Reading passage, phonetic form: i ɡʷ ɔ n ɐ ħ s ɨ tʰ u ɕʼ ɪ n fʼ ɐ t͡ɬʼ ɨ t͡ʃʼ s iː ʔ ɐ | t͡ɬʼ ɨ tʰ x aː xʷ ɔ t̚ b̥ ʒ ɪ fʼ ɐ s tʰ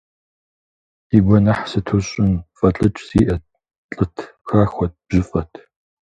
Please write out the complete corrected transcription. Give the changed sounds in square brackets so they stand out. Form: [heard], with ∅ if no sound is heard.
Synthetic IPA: i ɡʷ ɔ n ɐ ħ s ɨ tʰ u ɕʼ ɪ n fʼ ɐ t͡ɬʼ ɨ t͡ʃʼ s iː ʔ ɐ | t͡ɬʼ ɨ tʰ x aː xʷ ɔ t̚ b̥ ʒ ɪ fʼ ɐ [∅] tʰ